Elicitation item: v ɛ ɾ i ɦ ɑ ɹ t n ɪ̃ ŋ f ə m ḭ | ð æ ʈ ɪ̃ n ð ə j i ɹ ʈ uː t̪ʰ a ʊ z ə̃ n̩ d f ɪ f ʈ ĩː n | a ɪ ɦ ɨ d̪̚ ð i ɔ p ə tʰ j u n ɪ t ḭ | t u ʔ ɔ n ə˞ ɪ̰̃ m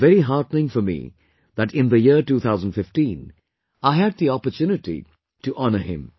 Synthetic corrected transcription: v ɛ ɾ i ɦ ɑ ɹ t n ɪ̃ ŋ f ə m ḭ | ð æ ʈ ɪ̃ n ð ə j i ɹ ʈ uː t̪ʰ a ʊ z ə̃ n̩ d f ɪ f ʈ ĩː n | a ɪ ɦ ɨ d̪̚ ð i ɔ p ə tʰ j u n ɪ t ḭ | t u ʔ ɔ n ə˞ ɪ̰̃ m